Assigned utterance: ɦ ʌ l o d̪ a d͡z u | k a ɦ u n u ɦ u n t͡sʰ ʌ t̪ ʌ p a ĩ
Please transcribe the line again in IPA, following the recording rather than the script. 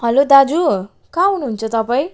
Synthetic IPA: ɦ ʌ l o d̪ a d͡z u | k a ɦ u n u ɦ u n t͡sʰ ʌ t̪ ʌ p a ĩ